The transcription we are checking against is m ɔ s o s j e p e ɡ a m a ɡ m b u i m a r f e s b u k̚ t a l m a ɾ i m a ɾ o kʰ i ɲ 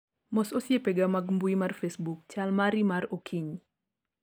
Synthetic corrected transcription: m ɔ s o s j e p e ɡ a m a ɡ m b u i m a r f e s b u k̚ t͡ʃ a l m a ɾ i m a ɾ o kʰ i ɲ